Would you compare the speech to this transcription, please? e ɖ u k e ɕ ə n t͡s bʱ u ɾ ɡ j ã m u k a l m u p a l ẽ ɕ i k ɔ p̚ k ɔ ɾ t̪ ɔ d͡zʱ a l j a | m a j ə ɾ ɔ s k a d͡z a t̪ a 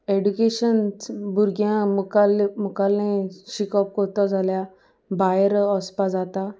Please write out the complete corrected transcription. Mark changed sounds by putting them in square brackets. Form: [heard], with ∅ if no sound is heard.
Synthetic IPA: e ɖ u k e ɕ ə n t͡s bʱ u ɾ ɡ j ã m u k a l m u [k] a l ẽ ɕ i k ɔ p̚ k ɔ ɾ t̪ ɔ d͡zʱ a l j a | [b] a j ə ɾ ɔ s [p] a d͡z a t̪ a